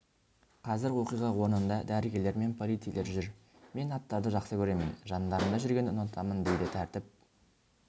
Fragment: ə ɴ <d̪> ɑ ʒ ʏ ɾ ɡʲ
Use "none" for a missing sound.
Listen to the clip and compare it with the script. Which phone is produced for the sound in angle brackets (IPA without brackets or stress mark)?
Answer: d̪